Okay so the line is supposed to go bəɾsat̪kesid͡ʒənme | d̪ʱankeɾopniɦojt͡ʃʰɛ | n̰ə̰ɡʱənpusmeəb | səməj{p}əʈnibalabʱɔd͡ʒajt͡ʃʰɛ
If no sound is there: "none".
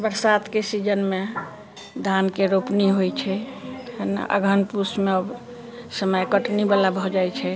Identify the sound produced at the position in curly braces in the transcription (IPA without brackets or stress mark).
k